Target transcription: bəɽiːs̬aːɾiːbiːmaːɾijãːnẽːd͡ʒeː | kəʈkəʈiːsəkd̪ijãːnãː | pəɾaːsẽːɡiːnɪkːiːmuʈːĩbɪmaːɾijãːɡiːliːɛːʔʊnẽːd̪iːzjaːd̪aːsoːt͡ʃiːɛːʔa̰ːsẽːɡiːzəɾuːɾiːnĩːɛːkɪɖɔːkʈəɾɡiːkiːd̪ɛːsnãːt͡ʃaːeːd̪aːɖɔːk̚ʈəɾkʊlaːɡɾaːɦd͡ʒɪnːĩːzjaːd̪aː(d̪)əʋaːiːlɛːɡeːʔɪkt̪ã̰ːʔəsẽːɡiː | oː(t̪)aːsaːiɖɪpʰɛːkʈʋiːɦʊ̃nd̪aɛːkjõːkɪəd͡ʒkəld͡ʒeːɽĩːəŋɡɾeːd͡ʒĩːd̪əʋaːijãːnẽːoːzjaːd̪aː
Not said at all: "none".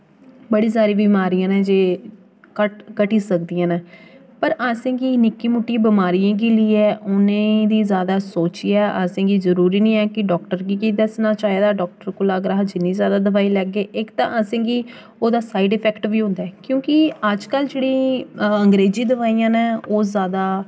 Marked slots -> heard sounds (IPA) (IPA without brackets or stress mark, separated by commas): d̪, d̪